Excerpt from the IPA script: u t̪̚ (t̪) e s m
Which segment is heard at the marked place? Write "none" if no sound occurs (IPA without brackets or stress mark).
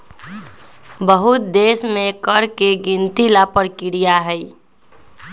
d̪